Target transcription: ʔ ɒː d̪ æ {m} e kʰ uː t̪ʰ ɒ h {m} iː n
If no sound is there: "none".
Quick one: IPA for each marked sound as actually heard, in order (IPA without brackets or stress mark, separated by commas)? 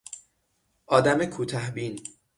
m, b